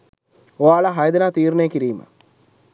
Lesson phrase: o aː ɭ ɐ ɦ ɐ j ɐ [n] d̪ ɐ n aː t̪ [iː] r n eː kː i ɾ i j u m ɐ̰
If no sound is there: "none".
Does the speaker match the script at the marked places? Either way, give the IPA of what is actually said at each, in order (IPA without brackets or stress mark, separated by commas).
none, iː